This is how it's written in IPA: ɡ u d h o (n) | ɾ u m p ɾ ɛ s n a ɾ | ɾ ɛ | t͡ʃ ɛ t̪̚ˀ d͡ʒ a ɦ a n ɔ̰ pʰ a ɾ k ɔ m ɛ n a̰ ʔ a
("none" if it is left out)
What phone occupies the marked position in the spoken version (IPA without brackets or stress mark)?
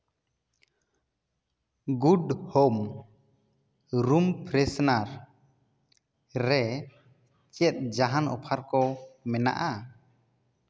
m